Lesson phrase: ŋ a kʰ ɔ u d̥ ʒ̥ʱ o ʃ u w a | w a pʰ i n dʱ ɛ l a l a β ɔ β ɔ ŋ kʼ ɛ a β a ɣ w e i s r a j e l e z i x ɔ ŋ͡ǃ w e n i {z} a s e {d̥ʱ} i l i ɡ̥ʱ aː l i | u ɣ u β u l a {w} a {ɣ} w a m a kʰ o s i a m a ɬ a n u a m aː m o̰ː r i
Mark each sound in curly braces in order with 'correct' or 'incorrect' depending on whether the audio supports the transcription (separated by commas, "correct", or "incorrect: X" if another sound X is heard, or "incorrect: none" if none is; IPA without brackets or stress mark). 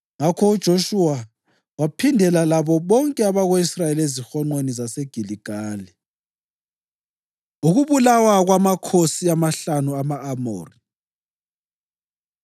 correct, incorrect: ɡ̥ʱ, correct, correct